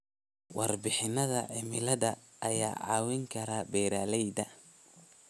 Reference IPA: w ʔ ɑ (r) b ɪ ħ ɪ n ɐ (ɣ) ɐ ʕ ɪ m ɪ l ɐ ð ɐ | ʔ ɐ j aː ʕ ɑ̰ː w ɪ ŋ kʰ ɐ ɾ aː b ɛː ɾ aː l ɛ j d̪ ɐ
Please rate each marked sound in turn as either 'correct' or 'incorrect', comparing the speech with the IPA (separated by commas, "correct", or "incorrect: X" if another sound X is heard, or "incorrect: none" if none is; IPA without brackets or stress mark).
correct, incorrect: ð